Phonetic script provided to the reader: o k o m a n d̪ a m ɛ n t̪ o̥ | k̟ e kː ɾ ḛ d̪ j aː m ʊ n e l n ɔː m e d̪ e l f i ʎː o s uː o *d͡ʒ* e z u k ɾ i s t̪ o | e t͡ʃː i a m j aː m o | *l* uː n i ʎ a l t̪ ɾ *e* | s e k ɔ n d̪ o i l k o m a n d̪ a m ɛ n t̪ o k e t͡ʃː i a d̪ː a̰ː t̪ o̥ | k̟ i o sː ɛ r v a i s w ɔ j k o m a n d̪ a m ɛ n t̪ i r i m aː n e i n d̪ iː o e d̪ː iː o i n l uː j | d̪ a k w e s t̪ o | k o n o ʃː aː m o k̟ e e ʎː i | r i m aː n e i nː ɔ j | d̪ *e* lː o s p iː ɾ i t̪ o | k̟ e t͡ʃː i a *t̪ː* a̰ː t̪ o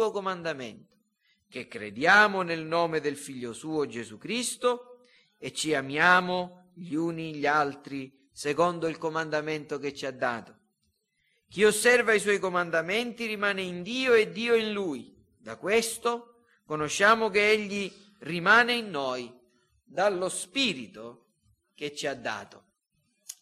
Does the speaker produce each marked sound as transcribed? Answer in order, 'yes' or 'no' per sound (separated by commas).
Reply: yes, no, no, no, no